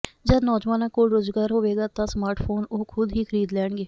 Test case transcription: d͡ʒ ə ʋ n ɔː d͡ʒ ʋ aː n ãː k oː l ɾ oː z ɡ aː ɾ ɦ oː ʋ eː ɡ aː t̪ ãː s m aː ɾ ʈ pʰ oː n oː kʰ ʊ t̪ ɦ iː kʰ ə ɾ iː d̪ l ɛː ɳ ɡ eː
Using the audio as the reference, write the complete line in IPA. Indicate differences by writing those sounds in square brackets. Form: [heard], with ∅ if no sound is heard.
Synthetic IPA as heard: d͡ʒ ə [∅] n ɔː d͡ʒ ʋ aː n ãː k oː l ɾ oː z ɡ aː ɾ ɦ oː ʋ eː ɡ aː t̪ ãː s m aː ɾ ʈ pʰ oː n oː kʰ ʊ [d̪] ɦ iː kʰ ə ɾ iː d̪ l ɛː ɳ ɡ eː